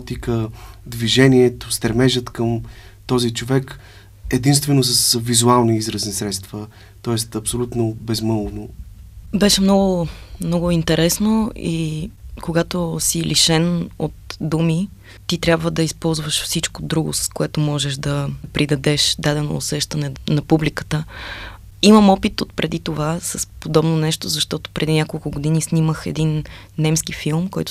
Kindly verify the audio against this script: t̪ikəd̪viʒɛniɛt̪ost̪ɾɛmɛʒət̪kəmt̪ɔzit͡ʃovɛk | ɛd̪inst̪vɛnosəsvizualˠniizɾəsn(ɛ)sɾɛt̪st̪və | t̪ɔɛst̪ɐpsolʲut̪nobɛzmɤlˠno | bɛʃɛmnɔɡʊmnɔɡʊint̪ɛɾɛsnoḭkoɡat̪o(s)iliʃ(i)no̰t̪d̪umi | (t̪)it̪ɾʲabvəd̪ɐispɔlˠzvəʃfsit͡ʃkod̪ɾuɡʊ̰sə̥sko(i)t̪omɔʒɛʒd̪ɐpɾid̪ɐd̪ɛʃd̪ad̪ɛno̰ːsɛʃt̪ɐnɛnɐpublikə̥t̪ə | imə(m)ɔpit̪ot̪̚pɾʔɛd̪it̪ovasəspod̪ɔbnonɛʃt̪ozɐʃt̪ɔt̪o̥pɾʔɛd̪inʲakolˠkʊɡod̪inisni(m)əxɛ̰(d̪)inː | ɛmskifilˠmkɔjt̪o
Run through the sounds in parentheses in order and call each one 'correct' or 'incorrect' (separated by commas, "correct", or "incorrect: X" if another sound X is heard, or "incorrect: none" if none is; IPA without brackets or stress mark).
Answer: incorrect: i, correct, incorrect: ɛ, correct, incorrect: ɛ, correct, correct, correct